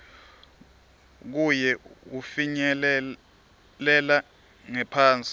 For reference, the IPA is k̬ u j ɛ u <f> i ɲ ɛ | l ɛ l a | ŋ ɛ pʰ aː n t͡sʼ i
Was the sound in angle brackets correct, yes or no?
yes